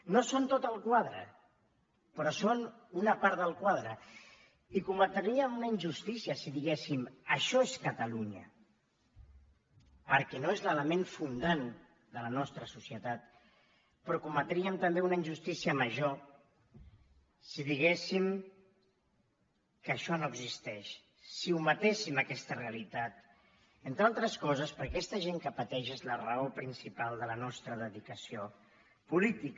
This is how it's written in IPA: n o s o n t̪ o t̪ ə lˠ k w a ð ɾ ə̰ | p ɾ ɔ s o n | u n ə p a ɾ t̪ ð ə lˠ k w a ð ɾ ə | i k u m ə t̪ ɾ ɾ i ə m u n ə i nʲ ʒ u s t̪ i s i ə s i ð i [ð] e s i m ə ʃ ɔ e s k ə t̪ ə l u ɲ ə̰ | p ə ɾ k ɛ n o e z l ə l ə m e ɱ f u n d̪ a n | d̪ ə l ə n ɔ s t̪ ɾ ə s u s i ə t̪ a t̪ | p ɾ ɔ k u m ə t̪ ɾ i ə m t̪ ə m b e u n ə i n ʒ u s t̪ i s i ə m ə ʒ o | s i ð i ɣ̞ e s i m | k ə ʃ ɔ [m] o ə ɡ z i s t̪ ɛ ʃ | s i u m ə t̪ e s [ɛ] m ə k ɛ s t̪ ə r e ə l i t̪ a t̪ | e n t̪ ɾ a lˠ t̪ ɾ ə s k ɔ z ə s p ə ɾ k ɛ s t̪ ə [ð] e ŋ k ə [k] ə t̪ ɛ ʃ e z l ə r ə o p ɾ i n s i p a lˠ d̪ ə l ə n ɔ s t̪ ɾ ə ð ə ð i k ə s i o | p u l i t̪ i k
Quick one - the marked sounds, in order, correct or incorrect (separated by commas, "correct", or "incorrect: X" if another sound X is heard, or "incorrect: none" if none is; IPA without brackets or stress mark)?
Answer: incorrect: ɣ, incorrect: n, incorrect: i, incorrect: ʒ, incorrect: p